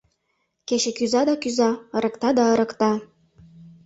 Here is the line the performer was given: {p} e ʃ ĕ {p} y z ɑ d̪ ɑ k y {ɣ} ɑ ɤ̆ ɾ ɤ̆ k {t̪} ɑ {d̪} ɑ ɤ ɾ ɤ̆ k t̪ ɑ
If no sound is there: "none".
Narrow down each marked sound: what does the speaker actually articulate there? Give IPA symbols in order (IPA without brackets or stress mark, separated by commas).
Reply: k, k, z, t̪, d̪